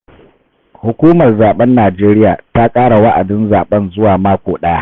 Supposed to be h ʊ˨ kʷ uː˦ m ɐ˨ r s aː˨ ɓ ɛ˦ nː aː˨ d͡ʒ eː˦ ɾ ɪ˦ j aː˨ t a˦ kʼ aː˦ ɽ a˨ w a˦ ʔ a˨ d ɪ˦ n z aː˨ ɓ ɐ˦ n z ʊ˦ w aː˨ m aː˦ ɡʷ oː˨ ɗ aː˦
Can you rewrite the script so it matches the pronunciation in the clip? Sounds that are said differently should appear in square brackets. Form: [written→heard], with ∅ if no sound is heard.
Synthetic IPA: h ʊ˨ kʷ uː˦ m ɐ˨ r [s→z] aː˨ ɓ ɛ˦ nː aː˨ d͡ʒ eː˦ ɾ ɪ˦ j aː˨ t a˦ kʼ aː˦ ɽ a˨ w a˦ ʔ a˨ d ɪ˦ n z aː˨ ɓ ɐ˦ n z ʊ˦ w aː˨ m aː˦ [ɡʷ→kʷ] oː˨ ɗ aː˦